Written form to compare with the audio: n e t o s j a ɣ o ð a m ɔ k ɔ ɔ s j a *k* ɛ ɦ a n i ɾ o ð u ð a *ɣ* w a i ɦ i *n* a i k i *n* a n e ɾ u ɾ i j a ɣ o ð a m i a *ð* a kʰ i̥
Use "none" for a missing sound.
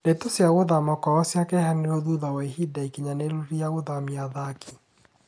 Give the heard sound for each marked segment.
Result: k, none, d, ɲ, ð

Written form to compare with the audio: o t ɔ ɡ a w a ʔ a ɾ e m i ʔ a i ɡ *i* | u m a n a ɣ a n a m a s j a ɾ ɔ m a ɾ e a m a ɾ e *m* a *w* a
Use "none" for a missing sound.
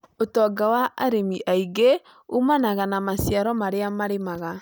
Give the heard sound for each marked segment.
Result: e, m, ɣ

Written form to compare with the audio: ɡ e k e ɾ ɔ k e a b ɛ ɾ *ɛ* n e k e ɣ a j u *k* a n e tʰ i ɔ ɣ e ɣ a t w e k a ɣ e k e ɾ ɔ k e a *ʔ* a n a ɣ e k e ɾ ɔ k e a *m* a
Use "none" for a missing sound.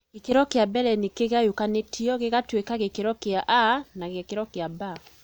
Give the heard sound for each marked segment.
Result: ɛ, k, ʔ, b

